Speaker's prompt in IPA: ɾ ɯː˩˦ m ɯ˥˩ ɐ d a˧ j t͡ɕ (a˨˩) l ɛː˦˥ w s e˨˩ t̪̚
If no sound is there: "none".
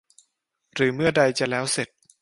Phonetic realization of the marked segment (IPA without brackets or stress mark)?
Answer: a˨˩